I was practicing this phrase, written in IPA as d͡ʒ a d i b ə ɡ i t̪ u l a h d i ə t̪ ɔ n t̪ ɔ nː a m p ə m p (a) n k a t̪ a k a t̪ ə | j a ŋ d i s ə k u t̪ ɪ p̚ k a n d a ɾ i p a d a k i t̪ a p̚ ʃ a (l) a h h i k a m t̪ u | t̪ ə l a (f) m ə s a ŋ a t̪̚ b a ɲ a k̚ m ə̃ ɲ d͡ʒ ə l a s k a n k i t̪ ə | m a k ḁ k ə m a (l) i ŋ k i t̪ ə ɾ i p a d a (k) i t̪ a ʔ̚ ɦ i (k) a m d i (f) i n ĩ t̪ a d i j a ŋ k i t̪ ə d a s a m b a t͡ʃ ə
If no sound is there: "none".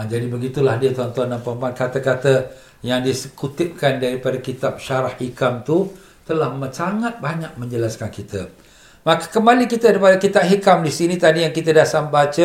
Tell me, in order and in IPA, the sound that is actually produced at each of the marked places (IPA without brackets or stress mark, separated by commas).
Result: a, ɾ, h, l, k, k, s